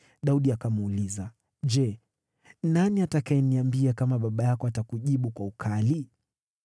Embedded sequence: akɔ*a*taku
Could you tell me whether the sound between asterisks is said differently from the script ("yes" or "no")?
no